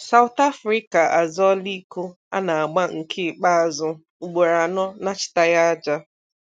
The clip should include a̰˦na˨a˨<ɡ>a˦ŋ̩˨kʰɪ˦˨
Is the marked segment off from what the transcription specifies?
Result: yes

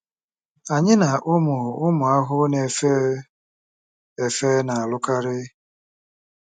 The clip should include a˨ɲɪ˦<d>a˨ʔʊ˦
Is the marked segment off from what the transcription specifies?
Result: yes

